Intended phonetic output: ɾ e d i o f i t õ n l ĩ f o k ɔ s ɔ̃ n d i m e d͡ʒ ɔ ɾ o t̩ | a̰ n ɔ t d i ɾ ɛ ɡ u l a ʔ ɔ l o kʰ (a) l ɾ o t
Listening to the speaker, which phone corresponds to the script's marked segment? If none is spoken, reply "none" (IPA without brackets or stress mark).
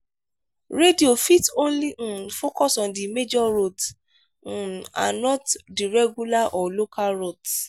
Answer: a